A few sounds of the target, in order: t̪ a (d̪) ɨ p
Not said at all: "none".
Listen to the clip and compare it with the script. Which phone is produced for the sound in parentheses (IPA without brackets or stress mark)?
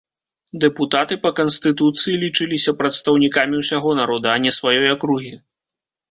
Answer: t̪